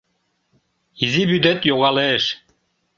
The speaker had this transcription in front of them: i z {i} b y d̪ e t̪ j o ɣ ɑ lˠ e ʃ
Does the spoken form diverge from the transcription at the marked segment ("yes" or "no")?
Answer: no